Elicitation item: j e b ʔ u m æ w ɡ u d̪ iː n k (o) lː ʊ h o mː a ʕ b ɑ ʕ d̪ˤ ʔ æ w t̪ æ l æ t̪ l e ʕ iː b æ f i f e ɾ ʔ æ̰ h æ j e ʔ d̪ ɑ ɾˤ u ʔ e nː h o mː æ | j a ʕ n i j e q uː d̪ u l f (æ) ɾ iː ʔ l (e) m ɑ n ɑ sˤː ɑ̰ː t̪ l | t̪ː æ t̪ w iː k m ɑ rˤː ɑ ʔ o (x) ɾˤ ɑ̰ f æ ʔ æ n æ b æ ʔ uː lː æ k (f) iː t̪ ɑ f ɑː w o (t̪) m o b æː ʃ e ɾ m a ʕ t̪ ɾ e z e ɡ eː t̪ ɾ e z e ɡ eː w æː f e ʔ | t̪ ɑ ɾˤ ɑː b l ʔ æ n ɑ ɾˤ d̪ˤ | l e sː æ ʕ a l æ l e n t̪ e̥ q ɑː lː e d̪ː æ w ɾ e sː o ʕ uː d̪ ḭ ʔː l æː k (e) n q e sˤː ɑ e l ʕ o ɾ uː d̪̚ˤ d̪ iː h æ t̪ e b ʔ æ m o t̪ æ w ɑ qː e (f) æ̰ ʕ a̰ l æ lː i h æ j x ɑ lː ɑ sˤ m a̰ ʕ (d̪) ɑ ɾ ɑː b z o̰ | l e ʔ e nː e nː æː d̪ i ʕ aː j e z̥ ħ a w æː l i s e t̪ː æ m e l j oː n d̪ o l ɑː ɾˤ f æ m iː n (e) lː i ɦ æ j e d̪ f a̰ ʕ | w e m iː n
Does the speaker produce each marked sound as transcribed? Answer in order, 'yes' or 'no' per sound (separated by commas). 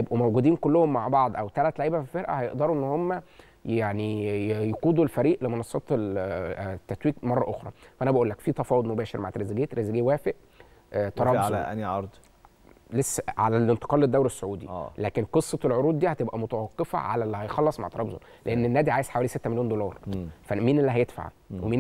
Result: yes, yes, yes, yes, yes, no, yes, yes, no, yes